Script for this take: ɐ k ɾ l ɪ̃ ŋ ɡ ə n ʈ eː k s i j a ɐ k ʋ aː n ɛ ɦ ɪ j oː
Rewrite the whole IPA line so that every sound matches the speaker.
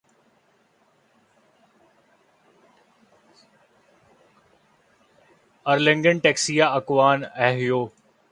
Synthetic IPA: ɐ ɾ l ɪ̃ ŋ ɡ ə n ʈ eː k s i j a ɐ k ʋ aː n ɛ ɦ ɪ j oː